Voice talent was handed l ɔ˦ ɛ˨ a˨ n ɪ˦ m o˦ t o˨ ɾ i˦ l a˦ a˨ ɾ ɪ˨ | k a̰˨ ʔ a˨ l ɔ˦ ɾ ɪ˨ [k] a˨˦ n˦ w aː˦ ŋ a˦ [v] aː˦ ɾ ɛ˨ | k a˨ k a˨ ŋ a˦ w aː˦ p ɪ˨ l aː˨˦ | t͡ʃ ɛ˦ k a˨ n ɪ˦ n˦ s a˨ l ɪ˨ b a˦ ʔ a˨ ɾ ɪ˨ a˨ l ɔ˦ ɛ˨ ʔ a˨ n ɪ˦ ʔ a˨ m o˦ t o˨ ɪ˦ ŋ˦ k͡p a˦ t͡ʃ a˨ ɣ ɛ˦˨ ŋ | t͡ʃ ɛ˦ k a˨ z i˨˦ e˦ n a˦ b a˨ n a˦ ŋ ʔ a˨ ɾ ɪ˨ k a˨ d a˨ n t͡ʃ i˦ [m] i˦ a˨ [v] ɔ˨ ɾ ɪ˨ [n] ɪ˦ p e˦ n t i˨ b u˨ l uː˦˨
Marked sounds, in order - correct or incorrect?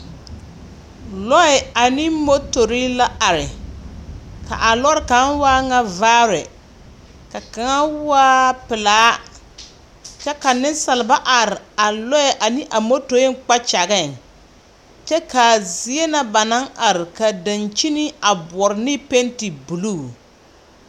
correct, correct, incorrect, incorrect, correct

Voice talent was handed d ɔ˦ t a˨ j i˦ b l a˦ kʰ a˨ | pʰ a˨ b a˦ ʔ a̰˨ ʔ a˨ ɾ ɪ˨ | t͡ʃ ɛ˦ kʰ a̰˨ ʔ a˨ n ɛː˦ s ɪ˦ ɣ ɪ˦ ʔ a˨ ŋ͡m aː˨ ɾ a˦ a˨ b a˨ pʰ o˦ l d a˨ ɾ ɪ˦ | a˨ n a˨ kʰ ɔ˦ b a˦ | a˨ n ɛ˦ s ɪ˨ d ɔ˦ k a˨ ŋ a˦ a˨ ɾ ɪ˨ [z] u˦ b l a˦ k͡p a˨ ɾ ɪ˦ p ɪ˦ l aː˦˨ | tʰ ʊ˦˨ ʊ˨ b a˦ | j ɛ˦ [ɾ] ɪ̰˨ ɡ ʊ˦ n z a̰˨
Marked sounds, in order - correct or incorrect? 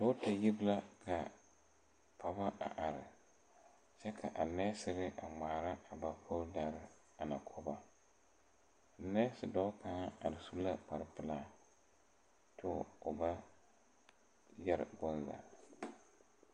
incorrect, correct

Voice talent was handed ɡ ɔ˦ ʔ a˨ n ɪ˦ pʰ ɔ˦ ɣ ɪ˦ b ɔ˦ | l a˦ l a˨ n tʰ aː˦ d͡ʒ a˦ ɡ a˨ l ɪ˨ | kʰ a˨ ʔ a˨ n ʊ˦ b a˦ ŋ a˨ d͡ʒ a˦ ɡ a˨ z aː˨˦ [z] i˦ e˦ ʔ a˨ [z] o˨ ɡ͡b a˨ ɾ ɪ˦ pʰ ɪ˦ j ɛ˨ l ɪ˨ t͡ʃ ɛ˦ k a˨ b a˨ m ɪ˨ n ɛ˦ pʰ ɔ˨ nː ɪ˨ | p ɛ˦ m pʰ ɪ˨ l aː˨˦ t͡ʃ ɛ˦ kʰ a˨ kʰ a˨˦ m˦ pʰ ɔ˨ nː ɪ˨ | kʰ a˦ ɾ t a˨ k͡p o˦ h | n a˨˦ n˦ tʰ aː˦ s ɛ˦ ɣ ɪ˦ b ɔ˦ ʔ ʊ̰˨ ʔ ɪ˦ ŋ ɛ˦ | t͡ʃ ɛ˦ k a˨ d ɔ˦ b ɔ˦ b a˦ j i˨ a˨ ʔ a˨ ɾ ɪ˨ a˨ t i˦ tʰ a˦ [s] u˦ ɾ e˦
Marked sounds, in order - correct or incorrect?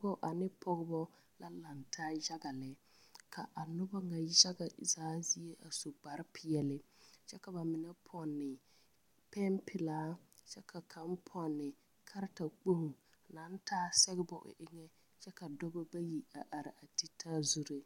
correct, incorrect, incorrect

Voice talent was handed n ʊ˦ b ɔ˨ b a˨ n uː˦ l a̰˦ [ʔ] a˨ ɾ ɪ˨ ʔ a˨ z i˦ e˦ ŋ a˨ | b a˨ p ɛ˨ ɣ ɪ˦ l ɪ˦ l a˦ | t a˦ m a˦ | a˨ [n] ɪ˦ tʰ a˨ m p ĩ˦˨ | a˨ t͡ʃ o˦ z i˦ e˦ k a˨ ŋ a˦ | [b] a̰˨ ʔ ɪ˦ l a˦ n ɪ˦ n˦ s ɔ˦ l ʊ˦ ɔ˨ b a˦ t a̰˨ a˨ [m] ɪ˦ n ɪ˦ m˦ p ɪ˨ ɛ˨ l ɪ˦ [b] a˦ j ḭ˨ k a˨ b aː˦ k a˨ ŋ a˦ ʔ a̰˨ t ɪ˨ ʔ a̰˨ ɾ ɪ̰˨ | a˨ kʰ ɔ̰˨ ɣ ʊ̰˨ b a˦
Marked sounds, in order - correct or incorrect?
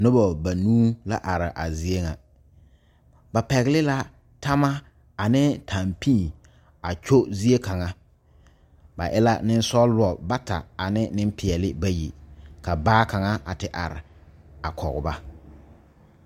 correct, correct, correct, incorrect, correct

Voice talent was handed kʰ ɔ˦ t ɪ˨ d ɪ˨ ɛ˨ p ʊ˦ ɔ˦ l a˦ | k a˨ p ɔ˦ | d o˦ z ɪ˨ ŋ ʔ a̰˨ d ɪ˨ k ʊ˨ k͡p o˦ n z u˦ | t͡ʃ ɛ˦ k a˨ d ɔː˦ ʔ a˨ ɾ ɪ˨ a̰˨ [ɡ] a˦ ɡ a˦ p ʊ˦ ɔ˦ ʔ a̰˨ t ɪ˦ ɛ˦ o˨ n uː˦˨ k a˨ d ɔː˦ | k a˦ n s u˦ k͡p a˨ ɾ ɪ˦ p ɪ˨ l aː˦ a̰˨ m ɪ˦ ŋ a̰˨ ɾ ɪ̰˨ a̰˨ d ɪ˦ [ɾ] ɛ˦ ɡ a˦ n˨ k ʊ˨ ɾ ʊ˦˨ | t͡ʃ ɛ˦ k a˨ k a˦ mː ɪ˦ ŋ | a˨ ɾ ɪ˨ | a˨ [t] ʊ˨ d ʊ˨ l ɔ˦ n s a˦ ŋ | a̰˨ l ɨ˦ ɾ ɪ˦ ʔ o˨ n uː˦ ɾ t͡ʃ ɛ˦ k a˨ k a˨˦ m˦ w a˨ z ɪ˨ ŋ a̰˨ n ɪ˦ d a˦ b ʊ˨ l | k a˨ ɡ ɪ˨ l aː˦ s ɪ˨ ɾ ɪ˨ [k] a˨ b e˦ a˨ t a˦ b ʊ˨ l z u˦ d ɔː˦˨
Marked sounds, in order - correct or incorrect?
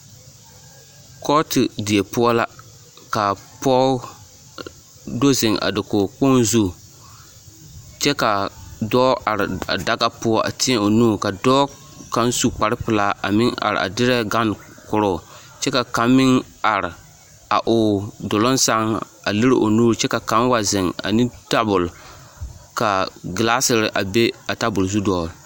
incorrect, correct, incorrect, incorrect

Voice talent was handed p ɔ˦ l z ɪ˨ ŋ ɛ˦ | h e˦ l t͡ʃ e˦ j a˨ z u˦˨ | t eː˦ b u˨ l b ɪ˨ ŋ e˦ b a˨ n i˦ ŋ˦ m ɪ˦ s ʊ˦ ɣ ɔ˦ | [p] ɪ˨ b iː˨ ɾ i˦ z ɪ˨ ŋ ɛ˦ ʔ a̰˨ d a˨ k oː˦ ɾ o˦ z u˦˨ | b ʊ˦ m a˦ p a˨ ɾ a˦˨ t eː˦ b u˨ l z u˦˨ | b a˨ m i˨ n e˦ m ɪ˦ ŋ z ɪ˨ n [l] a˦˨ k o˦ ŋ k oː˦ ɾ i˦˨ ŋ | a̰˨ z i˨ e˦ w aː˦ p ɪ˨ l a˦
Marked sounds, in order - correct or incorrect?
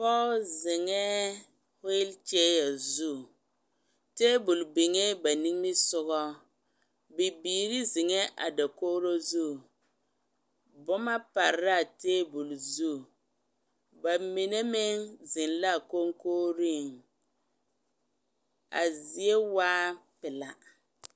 incorrect, correct

